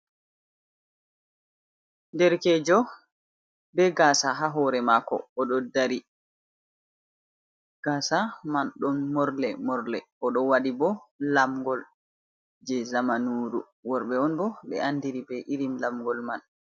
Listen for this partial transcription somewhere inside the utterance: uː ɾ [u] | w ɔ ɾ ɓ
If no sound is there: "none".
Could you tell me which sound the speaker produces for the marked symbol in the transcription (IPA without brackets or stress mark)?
u